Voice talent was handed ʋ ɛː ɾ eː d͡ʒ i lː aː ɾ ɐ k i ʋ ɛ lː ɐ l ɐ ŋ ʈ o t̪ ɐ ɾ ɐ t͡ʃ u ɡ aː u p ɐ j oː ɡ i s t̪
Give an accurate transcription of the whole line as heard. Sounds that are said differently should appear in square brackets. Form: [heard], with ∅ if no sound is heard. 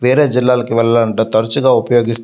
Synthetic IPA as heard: ʋ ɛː ɾ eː d͡ʒ i lː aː [l] ɐ k i ʋ ɛ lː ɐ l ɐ [ɳ] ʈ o t̪ ɐ ɾ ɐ t͡ʃ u ɡ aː u p ɐ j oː ɡ i s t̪